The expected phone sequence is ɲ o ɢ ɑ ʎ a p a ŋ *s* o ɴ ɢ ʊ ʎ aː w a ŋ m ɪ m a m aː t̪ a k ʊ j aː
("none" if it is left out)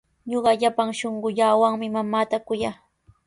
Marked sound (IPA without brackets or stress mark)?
ʃ